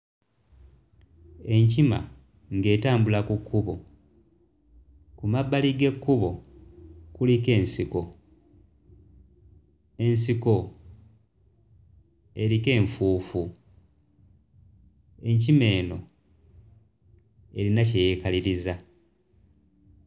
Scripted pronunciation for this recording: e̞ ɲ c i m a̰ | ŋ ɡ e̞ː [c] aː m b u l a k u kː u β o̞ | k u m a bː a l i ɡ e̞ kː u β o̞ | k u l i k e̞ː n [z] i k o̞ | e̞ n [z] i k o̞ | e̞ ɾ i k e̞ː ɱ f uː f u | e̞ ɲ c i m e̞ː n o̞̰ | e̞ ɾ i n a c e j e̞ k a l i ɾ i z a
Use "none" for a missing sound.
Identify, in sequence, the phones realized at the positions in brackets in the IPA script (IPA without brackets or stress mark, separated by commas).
t, s, s